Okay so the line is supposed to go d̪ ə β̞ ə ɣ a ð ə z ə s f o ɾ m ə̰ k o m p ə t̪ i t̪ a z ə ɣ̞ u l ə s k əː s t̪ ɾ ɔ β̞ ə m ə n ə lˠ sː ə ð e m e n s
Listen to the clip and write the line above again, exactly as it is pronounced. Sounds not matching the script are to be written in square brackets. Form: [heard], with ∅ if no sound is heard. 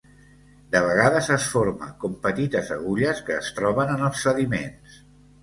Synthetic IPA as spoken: d̪ ə β̞ ə ɣ a ð ə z ə s f o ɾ m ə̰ k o m p ə t̪ i t̪ [ə] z ə ɣ̞ u [ʎ] ə s k əː s t̪ ɾ ɔ β̞ ə [n] ə n ə lˠ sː ə ð [i] m e n s